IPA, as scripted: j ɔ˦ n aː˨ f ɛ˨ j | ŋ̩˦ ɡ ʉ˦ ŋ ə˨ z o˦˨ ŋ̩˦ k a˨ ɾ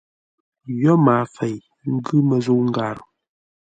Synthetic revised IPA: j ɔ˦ m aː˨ f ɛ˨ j | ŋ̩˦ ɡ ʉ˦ m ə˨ z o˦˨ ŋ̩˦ ɡ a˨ ɾ